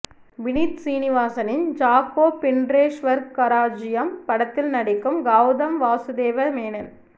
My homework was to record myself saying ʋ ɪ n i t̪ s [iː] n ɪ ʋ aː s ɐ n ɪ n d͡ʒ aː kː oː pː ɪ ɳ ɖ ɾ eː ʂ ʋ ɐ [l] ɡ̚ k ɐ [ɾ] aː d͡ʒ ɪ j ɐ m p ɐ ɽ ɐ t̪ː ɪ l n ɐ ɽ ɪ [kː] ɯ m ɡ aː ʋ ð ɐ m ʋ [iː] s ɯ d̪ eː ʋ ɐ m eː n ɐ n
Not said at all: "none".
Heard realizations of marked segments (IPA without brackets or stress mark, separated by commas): iː, ɾ, ɾ, kː, aː